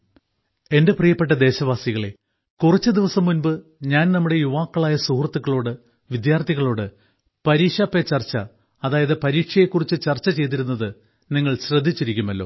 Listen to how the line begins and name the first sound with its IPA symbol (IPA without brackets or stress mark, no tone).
e̞